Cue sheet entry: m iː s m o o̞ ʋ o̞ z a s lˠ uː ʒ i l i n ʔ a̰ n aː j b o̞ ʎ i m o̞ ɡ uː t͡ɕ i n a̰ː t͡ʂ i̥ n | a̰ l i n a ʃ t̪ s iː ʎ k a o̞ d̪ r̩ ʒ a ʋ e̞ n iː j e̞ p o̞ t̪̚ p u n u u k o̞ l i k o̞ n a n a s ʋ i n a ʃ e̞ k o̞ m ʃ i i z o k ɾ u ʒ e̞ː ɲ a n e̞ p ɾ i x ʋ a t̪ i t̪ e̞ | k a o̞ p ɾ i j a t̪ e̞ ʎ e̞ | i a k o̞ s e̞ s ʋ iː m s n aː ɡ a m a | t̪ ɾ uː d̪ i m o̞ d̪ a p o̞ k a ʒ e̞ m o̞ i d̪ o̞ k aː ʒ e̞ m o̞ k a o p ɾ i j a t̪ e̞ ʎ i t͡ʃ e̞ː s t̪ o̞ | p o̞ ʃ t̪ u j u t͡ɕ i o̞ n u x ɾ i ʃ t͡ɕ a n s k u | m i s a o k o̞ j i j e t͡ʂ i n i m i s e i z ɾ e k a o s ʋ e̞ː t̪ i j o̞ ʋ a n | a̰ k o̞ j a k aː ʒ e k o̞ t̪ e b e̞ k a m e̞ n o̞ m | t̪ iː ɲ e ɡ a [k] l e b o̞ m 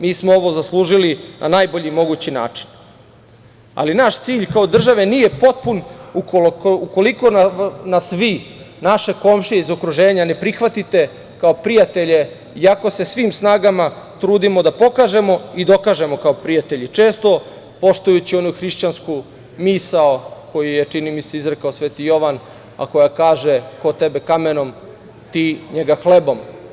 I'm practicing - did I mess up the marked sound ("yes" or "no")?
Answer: yes